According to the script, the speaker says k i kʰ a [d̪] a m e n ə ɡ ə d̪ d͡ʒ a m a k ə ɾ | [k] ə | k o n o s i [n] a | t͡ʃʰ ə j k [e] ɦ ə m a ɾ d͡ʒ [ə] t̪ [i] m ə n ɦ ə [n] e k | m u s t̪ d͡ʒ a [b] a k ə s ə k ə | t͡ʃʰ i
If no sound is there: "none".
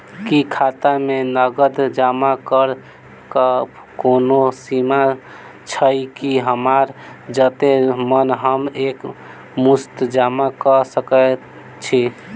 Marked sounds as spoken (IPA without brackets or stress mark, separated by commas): t̪, k, m, i, ə, e, m, m